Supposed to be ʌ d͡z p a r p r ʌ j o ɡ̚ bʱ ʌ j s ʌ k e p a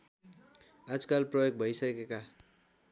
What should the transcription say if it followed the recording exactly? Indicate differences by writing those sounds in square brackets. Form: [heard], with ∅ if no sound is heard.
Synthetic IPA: [a] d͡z [k] a [l] p r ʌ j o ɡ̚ bʱ ʌ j s ʌ k e [k] a